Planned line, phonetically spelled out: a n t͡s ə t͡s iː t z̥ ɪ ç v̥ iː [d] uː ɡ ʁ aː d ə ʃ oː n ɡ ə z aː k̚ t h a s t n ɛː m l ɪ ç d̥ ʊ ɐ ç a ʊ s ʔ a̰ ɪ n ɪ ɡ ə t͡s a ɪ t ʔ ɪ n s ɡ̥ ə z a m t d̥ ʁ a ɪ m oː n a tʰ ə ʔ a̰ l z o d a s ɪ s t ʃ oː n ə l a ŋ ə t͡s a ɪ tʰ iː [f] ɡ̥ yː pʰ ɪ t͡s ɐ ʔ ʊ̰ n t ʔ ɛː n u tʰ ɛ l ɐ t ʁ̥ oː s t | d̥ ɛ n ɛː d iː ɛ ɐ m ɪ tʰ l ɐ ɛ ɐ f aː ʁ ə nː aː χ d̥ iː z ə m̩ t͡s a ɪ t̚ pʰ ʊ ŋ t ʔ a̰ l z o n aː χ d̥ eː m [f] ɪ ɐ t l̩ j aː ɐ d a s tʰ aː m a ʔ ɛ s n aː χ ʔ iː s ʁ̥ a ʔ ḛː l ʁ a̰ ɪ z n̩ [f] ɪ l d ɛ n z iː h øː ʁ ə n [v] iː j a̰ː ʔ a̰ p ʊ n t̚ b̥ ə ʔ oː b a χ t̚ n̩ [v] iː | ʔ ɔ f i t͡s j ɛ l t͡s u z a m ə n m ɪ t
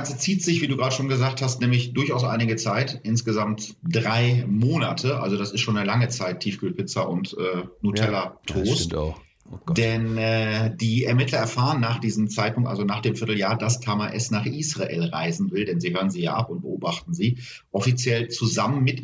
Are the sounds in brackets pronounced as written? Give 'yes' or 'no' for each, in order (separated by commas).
yes, yes, yes, no, no, no